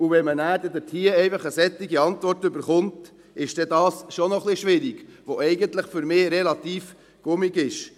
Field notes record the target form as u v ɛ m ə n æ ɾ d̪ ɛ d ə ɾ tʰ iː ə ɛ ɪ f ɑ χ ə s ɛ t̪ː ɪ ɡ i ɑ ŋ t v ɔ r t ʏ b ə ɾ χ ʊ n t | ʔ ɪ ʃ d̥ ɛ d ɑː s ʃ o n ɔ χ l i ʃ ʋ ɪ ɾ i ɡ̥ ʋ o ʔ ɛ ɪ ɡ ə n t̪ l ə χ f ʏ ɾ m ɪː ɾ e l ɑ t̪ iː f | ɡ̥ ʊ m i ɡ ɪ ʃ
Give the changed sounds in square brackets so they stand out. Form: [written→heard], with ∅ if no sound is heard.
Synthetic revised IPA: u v ɛ m ə n [æ→æː] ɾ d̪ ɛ d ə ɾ tʰ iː ə ɛ ɪ f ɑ χ ə s ɛ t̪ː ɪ ɡ i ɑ [ŋ→n] t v ɔ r t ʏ b ə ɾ χ ʊ n t | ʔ ɪ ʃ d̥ ɛ d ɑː s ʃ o n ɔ χ l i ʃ ʋ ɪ ɾ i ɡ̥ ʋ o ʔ ɛ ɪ ɡ ə n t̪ l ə χ f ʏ ɾ m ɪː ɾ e l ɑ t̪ iː f | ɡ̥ ʊ m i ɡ ɪ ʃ

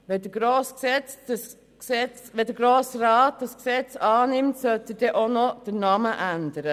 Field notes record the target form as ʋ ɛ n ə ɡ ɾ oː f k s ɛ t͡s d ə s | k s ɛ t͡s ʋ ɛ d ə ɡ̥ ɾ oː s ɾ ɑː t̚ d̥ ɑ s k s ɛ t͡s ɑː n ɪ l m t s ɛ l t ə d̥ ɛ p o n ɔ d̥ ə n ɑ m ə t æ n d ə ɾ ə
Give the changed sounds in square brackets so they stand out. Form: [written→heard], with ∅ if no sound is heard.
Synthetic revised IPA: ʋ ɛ [n→d] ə ɡ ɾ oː [f→s] k s ɛ t͡s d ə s | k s ɛ t͡s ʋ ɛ d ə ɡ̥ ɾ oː s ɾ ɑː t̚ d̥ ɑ s k s ɛ t͡s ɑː n ɪ [l→∅] m t s [ɛ→œ] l t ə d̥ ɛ [p→ʔ] o n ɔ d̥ ə n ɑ m ə [t→ʔ] æ n d ə ɾ ə

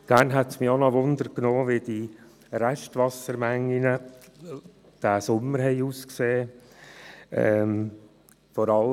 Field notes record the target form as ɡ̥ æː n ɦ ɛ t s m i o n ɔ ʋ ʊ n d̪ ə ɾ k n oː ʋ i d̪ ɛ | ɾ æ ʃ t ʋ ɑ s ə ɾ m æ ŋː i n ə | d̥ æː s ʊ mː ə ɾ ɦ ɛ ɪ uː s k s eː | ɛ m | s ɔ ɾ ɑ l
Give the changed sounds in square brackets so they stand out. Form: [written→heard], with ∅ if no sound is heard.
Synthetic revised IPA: ɡ̥ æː n ɦ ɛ t s m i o n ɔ ʋ ʊ n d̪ ə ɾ k n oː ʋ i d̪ [ɛ→i] | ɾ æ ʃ t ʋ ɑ s ə ɾ m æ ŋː i n ə | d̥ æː s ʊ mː ə ɾ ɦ ɛ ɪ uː s k s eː | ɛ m | [s→f] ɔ ɾ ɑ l

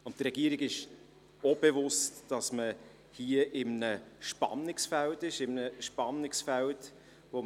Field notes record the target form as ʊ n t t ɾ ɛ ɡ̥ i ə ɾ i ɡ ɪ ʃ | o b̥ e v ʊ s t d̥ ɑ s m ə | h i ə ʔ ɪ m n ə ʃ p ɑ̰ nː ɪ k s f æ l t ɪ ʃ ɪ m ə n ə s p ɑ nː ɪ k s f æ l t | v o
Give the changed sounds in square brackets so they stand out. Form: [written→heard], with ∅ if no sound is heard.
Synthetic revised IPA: ʊ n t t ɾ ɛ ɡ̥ i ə ɾ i ɡ ɪ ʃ | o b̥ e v ʊ s t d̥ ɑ s m ə | h i ə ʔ ɪ m n ə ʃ p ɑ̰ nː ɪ k s f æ l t ɪ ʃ ɪ m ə n ə [s→ʃ] p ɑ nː ɪ k s f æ l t | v o

